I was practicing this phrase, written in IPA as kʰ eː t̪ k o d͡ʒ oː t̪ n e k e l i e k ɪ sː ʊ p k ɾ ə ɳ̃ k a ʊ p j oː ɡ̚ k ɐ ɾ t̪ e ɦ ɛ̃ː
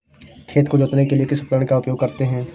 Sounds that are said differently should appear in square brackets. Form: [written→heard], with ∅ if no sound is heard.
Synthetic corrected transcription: kʰ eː t̪ k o d͡ʒ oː t̪ n e k e l i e k ɪ [sː→s] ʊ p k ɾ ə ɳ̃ k a ʊ p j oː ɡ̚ k ɐ ɾ t̪ e ɦ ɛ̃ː